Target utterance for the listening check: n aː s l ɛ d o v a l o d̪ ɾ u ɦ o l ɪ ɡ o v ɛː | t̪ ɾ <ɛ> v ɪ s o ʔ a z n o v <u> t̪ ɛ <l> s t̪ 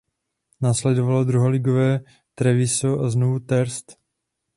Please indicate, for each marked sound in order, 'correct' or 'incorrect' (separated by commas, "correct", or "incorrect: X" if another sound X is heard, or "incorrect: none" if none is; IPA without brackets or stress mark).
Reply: correct, correct, incorrect: ɾ